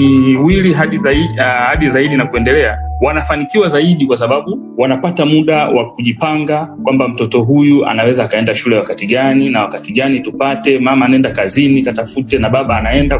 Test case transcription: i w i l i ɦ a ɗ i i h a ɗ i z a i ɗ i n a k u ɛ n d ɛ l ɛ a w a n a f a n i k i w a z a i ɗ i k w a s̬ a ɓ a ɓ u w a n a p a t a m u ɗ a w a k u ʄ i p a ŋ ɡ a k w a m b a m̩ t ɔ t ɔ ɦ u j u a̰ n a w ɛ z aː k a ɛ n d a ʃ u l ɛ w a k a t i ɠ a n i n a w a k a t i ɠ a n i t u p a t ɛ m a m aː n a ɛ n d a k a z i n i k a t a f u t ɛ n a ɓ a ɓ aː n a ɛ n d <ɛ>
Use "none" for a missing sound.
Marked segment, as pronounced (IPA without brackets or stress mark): a